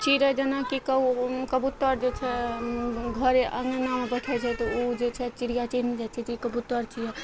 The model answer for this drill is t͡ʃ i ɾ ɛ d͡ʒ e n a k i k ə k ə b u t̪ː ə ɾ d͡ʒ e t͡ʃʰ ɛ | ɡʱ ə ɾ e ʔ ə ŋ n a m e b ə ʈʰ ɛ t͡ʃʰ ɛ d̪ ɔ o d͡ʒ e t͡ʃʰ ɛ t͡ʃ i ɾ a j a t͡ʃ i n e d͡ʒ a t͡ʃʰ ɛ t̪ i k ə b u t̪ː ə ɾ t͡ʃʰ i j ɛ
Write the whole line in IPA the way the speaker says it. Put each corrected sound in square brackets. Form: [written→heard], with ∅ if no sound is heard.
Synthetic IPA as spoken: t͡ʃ i ɾ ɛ d͡ʒ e n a k i k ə k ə b u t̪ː ə ɾ d͡ʒ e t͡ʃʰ ɛ | ɡʱ ə ɾ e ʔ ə ŋ n a m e b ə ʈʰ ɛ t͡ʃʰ ɛ [d̪→t̪] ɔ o d͡ʒ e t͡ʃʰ ɛ t͡ʃ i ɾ [a→i] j a t͡ʃ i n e d͡ʒ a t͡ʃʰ ɛ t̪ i k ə b u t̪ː ə ɾ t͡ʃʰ i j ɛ